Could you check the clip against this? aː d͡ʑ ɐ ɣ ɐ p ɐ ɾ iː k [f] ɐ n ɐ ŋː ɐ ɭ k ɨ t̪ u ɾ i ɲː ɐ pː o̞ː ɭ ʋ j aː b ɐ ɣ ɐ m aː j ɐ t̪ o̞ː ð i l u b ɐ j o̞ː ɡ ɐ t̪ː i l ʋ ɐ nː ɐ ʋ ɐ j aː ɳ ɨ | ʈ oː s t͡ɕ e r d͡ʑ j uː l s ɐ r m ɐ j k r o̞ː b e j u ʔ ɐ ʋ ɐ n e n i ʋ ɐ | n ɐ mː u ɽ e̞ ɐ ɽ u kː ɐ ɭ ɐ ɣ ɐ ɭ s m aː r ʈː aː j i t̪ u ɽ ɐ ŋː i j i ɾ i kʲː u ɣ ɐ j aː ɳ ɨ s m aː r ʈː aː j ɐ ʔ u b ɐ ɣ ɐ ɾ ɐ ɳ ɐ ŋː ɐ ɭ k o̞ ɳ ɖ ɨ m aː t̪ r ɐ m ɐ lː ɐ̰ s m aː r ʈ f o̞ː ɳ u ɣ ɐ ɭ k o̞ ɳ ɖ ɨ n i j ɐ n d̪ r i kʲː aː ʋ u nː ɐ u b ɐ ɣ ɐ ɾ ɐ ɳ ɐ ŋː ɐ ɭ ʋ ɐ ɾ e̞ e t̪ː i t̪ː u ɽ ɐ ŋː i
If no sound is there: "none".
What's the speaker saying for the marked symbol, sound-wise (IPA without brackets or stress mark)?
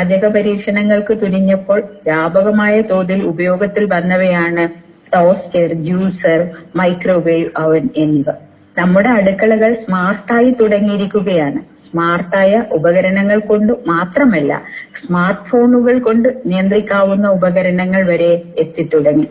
ʂ